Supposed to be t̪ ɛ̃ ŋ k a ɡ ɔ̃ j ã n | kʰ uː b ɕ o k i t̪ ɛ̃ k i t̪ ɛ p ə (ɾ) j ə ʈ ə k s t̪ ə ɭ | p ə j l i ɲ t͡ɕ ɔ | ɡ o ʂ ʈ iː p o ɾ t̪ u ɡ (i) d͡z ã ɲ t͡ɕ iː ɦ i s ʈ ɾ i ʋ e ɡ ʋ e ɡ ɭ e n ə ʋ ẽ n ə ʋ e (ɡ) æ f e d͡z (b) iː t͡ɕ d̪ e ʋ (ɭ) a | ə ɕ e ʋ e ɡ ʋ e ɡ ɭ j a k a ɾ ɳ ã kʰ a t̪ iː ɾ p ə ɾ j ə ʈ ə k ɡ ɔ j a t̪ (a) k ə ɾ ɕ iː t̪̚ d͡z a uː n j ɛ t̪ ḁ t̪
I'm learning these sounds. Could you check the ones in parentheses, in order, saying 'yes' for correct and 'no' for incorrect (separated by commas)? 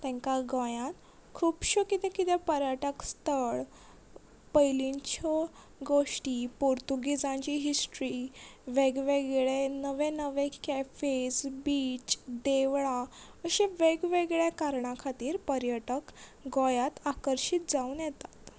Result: yes, yes, no, yes, yes, yes